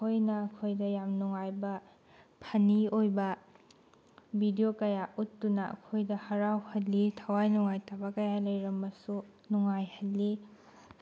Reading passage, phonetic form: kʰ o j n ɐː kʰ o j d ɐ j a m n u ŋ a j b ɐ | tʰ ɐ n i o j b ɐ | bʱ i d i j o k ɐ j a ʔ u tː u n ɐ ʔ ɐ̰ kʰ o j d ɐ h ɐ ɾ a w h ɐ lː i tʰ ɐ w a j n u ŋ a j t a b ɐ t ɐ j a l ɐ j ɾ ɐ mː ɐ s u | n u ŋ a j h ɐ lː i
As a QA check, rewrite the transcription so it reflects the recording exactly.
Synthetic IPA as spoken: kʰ o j n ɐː kʰ o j d ɐ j a m n u ŋ a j b ɐ | pʰ ɐ n i o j b ɐ | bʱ i d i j o k ɐ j a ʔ u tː u n ɐ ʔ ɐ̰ kʰ o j d ɐ h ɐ ɾ a w h ɐ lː i tʰ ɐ w a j n u ŋ a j t a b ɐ k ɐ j a l ɐ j ɾ ɐ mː ɐ s u | n u ŋ a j h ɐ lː i